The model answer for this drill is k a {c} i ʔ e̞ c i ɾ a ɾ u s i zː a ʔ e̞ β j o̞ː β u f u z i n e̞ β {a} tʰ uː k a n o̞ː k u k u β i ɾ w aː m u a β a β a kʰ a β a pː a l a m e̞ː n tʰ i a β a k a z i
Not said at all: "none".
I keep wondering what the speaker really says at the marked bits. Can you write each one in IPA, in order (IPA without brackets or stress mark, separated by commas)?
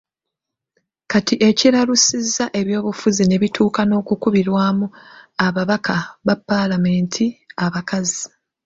t, i